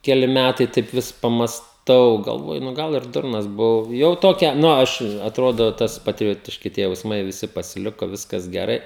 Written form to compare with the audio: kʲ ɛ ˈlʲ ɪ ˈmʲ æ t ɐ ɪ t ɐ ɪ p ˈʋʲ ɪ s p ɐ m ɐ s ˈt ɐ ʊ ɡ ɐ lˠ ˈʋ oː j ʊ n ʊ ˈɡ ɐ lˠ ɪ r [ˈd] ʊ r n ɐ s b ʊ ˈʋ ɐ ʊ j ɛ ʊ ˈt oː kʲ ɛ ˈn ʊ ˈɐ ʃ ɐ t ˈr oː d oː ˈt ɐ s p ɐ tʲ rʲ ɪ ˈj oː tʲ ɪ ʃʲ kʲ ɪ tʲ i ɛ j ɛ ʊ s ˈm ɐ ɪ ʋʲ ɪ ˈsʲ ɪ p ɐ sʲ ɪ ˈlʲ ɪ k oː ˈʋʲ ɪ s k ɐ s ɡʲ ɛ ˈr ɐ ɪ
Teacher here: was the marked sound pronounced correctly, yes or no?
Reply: yes